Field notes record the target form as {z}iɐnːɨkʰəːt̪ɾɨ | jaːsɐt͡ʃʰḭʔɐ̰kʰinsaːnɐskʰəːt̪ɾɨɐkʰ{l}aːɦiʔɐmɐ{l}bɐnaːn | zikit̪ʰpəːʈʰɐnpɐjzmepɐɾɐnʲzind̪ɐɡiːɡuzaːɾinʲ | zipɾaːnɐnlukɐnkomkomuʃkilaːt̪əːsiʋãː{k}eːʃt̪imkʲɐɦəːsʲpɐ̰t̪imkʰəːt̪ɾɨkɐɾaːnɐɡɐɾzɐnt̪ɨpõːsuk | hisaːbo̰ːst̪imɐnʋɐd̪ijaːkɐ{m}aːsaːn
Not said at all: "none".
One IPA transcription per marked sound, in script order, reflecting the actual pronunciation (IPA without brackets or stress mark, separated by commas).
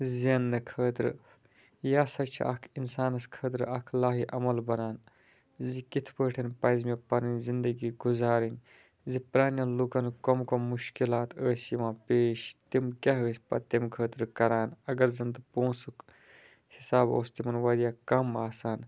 z, l, l, p, m